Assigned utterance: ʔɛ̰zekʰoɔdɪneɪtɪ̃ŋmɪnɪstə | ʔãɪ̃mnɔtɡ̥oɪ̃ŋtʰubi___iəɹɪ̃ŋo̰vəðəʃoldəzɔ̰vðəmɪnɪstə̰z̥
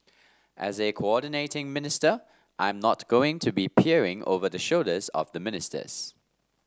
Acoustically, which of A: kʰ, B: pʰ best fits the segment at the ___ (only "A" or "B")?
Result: B